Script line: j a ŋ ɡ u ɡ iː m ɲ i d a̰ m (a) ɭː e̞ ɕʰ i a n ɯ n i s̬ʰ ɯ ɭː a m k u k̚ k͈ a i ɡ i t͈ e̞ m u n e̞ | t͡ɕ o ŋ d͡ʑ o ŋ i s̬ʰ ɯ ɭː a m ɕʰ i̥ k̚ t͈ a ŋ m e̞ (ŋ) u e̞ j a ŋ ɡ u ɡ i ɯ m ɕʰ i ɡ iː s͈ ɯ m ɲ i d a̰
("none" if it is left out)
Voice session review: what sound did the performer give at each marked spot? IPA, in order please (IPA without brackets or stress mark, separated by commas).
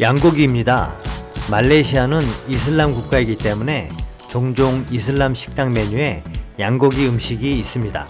a, ɲ